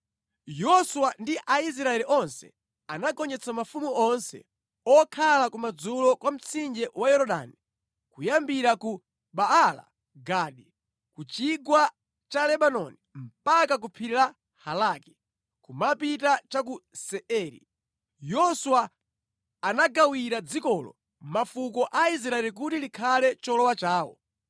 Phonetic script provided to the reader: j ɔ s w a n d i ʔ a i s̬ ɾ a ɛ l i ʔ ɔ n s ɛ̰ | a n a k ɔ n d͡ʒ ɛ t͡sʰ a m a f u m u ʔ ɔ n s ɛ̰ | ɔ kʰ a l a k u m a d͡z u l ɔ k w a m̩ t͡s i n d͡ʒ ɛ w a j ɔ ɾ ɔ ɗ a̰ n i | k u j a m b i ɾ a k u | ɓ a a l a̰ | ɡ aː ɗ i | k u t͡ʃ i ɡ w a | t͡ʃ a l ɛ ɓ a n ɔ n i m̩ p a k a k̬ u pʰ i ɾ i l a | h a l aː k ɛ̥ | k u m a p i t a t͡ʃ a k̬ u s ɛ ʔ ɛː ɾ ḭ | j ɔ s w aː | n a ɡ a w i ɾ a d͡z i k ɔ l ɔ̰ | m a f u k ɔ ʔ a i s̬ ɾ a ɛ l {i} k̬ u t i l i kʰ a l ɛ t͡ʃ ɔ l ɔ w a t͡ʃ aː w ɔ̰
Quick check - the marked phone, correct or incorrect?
correct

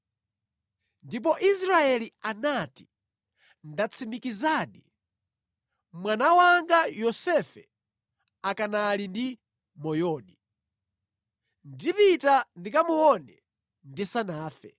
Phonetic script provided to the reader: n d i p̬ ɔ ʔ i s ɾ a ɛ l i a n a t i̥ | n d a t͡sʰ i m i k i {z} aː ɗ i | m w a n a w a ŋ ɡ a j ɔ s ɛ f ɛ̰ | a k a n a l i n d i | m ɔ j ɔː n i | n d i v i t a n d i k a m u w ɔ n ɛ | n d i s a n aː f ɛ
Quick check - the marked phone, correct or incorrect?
correct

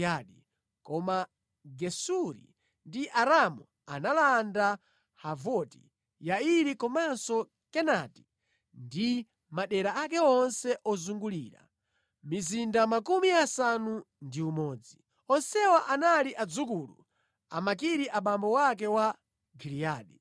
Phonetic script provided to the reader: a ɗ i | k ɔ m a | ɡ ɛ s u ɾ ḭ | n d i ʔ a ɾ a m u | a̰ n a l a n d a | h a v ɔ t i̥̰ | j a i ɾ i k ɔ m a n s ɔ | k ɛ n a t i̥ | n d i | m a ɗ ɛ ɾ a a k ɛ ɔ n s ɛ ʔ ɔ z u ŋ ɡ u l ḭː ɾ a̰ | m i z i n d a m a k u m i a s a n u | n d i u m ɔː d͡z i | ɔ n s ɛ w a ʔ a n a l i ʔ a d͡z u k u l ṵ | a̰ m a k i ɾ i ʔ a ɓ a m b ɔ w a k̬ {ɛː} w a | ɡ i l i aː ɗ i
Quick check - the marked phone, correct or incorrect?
incorrect: ɛ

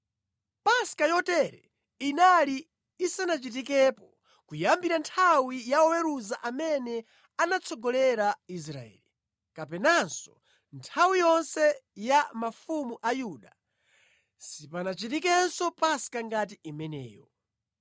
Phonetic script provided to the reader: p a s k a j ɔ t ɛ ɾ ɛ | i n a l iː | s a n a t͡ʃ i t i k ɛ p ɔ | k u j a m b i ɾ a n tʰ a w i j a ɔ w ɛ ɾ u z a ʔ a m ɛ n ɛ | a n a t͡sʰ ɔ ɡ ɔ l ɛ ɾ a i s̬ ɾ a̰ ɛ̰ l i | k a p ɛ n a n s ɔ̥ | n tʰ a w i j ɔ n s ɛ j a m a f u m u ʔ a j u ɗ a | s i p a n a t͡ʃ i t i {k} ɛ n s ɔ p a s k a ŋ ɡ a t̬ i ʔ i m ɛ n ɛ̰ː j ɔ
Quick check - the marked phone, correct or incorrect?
correct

